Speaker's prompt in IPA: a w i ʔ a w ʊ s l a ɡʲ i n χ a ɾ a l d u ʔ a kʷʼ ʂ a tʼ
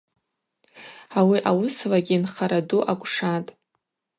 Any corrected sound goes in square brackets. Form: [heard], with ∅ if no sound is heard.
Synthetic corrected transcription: a w i ʔ a w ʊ s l a ɡʲ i n χ a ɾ a [∅] d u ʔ a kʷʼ ʂ a tʼ